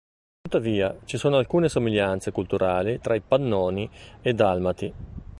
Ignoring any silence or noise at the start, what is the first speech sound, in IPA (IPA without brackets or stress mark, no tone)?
t̪